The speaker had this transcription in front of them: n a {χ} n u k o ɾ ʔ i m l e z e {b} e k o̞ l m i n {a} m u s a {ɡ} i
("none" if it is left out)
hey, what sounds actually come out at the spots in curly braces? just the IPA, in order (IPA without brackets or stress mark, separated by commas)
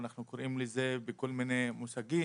χ, b, e, ɡ